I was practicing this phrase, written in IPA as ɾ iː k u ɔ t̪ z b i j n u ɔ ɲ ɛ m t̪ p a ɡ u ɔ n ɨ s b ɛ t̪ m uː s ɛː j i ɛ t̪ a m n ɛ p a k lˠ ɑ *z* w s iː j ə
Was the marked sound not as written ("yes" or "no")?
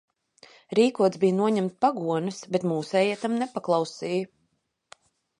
yes